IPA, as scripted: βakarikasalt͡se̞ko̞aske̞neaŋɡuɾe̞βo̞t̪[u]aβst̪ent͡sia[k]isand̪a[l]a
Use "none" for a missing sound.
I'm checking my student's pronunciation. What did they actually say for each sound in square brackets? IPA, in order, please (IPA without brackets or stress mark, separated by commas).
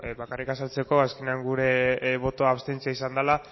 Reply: o, none, l